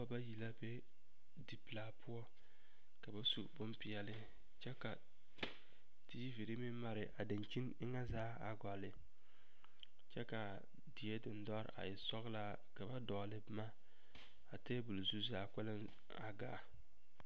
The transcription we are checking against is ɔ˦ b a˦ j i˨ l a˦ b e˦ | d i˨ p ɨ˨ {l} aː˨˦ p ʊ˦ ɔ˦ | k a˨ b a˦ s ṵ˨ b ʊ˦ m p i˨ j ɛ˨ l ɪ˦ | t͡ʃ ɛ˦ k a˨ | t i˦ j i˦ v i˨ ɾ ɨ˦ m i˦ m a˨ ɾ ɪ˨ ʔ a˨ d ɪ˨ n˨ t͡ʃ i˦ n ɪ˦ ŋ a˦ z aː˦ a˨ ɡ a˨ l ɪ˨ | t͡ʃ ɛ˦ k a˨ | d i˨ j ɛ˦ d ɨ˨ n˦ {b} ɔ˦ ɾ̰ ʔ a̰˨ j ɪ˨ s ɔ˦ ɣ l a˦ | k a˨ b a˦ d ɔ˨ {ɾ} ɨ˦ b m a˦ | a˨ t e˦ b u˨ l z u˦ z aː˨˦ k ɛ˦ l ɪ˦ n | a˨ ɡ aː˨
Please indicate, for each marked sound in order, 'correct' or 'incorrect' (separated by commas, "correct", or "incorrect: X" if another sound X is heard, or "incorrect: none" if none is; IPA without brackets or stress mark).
correct, incorrect: d, incorrect: l